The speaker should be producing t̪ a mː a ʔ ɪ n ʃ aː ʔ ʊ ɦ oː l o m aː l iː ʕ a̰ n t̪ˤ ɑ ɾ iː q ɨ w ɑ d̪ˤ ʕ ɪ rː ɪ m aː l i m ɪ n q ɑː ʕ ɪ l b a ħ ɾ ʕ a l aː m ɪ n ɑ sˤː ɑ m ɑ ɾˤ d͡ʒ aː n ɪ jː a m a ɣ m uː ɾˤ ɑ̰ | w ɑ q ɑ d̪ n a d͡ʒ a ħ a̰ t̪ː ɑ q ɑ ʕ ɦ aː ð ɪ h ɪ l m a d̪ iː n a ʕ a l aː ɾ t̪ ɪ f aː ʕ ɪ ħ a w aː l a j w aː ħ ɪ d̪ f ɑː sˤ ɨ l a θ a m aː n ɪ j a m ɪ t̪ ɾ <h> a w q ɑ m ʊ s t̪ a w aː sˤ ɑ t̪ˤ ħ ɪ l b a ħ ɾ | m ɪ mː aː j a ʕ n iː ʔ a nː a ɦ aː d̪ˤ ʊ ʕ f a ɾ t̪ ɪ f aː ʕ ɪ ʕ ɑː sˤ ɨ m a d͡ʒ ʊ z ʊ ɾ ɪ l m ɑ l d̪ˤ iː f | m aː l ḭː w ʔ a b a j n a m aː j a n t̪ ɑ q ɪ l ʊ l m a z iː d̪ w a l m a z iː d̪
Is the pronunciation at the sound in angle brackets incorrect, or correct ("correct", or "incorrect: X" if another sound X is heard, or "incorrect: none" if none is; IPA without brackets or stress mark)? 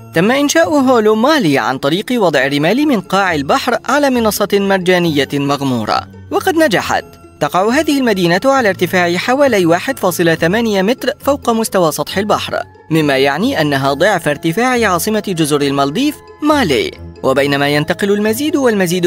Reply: incorrect: f